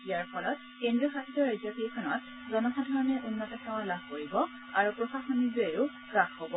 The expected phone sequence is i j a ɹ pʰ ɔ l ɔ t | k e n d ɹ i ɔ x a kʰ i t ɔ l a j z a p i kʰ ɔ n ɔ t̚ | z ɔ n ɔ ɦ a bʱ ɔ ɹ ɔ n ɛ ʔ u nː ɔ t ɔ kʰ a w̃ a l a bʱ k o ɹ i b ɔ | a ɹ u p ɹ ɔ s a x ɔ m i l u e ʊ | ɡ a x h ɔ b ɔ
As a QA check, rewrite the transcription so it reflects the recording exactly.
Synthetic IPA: i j a ɹ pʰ ɔ l ɔ t | k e n d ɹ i ɔ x a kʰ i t ɔ ɹ a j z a p i kʰ ɔ n ɔ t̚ | z ɔ n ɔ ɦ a dʱ ɔ ɹ ɔ n ɛ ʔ u nː ɔ t ɔ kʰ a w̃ a l a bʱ k o ɹ i b ɔ | a ɹ u p ɹ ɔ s a x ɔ n i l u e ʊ | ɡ a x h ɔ b ɔ

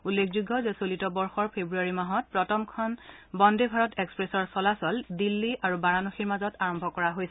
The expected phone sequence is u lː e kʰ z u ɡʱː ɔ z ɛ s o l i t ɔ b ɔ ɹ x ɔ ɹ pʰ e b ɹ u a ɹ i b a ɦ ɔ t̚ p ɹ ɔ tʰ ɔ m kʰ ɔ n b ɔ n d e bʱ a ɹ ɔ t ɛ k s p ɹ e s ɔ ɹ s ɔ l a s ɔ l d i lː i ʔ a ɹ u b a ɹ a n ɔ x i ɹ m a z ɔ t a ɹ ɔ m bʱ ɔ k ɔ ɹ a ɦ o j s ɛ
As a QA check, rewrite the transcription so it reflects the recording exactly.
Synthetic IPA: u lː e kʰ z u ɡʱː ɔ z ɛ s o l i t ɔ b ɔ ɹ x ɔ ɹ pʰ e b ɹ u a ɹ i m a ɦ ɔ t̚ p ɹ ɔ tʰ ɔ m kʰ ɔ n b ɔ n d e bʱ a ɹ ɔ t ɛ k s p ɹ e s ɔ ɹ s ɔ l a s ɔ l d i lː i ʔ a ɹ u b a ɹ a n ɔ x i ɹ m a z ɔ t a ɹ ɔ m bʱ ɔ k ɔ ɹ a ɦ o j s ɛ

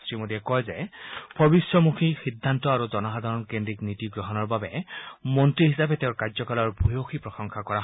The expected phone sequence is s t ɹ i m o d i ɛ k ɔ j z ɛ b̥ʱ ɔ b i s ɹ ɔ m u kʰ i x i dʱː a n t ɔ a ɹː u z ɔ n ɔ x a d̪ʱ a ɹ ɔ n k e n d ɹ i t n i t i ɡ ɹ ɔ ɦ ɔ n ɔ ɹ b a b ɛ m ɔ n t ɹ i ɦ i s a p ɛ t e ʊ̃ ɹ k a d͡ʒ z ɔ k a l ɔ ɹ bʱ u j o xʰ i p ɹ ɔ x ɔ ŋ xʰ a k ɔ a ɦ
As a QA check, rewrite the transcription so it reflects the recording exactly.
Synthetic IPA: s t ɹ i m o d i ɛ k ɔ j z ɛ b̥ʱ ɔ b i s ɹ ɔ m u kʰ i x i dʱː a n t ɔ a ɹ u z ɔ n ɔ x a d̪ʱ a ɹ ɔ n k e n d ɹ i k n i t i ɡ ɹ ɔ ɦ ɔ n ɔ ɹ b a b ɛ m ɔ n t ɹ i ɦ i s a p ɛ t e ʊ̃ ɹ k a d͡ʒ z ɔ k a l ɔ ɹ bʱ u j o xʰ i p ɹ ɔ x ɔ ŋ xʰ a k ɔ a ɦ

